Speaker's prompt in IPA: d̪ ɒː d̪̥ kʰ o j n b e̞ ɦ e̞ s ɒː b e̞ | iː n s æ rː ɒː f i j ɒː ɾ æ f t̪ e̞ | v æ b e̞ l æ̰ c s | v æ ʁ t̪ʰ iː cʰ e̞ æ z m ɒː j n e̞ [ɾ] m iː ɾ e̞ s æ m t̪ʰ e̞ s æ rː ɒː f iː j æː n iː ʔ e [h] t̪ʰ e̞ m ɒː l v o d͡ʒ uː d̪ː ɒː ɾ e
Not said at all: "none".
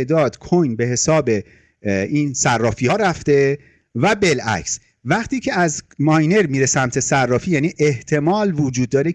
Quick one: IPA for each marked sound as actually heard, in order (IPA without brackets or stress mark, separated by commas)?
ɾ, h